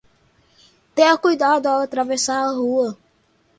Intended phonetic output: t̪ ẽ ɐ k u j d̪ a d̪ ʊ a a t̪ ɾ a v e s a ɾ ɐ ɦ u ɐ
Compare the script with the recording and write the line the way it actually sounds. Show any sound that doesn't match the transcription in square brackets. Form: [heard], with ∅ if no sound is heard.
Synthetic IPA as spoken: t̪ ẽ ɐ k u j d̪ a d̪ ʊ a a t̪ ɾ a v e s a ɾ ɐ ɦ u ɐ

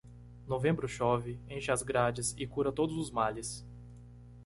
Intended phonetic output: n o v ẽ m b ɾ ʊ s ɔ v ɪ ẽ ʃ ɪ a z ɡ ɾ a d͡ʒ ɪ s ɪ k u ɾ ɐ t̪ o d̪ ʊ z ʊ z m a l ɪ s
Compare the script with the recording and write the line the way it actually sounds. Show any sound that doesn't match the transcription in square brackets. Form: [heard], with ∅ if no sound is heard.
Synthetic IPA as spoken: n o v ẽ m b ɾ ʊ [ʃ] ɔ v ɪ ẽ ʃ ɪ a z ɡ ɾ a d͡ʒ ɪ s ɪ k u ɾ ɐ t̪ o d̪ ʊ z ʊ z m a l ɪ s

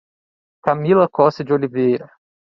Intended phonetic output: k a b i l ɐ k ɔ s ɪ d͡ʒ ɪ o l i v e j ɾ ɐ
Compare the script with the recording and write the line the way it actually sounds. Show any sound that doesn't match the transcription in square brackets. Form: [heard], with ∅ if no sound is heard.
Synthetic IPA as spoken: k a [m] i l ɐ k ɔ s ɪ d͡ʒ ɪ o l i v e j ɾ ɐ

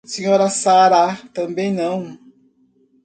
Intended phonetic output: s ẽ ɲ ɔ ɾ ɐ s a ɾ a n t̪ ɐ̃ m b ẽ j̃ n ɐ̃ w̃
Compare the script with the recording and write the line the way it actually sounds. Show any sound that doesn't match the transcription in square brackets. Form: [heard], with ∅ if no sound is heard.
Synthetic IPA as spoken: s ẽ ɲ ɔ ɾ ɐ s a ɾ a [∅] t̪ ɐ̃ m b ẽ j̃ n ɐ̃ w̃

